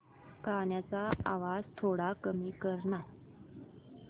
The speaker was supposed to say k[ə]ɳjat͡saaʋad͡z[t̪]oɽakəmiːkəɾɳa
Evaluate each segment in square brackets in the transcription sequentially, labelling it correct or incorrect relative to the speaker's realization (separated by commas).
incorrect, incorrect